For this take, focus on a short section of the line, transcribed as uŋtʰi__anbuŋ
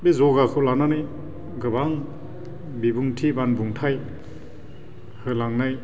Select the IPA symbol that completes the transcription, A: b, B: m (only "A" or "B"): A